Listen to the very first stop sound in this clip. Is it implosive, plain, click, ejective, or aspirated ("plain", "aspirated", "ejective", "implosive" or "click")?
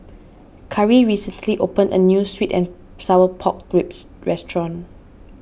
aspirated